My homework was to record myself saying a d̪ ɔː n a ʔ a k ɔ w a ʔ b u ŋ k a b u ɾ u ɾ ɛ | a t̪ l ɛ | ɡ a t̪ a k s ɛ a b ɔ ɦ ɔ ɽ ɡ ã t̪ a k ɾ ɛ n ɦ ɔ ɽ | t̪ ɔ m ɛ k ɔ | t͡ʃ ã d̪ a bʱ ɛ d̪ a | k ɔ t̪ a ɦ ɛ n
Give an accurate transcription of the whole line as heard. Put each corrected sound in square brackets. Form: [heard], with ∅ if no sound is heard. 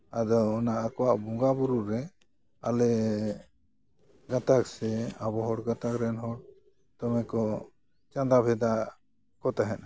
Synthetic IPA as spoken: a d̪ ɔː n a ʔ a k ɔ w a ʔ b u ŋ [ɡ] a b u ɾ u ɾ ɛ | a [∅] l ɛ | ɡ a t̪ a k s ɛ a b ɔ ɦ ɔ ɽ ɡ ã t̪ a k ɾ ɛ n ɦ ɔ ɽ | t̪ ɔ m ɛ k ɔ | t͡ʃ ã d̪ a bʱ ɛ d̪ a | k ɔ t̪ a ɦ ɛ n

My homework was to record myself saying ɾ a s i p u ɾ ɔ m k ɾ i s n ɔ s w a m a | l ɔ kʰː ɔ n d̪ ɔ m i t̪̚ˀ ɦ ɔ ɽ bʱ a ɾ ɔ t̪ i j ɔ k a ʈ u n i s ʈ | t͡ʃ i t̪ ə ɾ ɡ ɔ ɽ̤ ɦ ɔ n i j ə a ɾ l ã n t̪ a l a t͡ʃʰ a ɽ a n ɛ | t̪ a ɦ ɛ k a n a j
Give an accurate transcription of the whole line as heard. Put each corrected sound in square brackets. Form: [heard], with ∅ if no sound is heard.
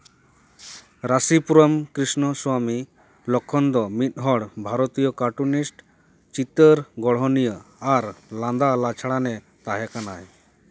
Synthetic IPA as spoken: ɾ a s i p u ɾ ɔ m k ɾ i s n ɔ s w a m [i] | l ɔ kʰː ɔ n d̪ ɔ m i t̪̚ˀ ɦ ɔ ɽ bʱ a ɾ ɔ t̪ i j ɔ k a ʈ u n i s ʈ | t͡ʃ i t̪ ə ɾ ɡ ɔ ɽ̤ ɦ ɔ n i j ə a ɾ l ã n [d̪] a l a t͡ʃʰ a ɽ a n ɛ | t̪ a ɦ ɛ k a n a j

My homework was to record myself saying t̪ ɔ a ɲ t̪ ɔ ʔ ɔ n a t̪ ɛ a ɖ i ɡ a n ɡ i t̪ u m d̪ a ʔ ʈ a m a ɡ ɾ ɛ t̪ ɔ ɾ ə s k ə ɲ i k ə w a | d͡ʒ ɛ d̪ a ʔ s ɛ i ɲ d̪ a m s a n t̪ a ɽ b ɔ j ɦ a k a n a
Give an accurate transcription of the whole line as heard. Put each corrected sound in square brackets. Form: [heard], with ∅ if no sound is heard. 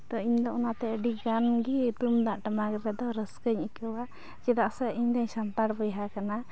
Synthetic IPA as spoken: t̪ ɔ [i] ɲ [d̪] ɔ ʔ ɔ n a t̪ ɛ [ə] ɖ i ɡ a n ɡ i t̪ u m d̪ a ʔ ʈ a m a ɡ ɾ ɛ [d̪] ɔ ɾ ə s k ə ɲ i k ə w a | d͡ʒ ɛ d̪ a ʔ s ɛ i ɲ d̪ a [ɲ] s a n t̪ a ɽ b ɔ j ɦ a k a n a

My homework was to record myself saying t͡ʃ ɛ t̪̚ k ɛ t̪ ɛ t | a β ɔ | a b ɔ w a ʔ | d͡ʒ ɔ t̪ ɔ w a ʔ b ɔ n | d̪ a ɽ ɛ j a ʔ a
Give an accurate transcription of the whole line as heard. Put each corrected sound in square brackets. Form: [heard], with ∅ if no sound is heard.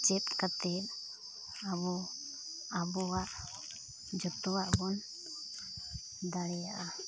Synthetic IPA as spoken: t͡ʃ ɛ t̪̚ k [a] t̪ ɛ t | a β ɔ | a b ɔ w a ʔ | d͡ʒ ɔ t̪ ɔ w a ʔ b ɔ n | d̪ a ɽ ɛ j a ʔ a

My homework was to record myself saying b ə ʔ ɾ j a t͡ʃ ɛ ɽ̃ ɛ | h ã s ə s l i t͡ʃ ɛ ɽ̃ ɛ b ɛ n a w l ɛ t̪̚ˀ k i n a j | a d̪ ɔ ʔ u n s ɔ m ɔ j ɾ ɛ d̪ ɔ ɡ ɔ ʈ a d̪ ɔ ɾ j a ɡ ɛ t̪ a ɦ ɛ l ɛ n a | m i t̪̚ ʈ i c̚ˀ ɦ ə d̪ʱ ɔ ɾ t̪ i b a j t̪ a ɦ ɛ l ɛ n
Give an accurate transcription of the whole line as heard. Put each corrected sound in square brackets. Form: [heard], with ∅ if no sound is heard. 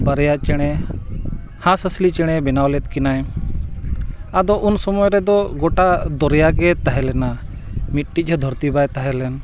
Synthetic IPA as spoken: b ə [∅] ɾ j a t͡ʃ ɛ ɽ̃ ɛ | h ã s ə s l i t͡ʃ ɛ ɽ̃ ɛ b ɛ n a w l ɛ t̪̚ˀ k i n a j | a d̪ ɔ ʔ u n s ɔ m ɔ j ɾ ɛ d̪ ɔ ɡ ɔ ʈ a d̪ ɔ ɾ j a ɡ ɛ t̪ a ɦ ɛ l ɛ n a | m i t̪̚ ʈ i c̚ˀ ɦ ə d̪ʱ ɔ ɾ t̪ i b a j t̪ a ɦ ɛ l ɛ n

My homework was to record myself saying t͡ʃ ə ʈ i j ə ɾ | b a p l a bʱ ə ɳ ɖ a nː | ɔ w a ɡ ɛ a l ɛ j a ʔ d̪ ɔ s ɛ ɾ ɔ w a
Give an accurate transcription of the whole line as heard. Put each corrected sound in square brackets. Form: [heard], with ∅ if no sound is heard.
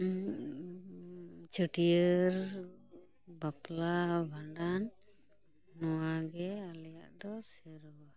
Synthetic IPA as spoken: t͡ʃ ə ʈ i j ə ɾ | b a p l a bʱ [a] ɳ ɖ a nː | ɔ w a ɡ ɛ a l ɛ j a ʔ d̪ ɔ s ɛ ɾ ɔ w a

